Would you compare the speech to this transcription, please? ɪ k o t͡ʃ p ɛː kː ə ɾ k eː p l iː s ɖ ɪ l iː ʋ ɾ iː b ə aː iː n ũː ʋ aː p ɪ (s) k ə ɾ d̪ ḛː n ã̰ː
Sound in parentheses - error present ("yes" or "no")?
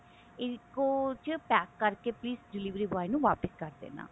no